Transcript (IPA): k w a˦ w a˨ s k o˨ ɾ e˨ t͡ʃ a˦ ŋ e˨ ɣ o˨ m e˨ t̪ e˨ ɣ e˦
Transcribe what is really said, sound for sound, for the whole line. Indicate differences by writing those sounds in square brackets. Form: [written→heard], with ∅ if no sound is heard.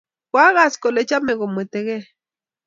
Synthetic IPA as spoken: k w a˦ [w→ɣ] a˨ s k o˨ [ɾ→l] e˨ t͡ʃ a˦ [ŋ→m] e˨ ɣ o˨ m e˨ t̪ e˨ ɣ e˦